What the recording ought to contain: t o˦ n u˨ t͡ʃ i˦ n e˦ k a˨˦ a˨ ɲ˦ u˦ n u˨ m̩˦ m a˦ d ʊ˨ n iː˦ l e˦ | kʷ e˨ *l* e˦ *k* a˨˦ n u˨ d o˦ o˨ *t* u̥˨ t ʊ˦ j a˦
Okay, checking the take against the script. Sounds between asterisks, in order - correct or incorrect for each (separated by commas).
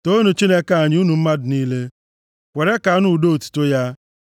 incorrect, correct, correct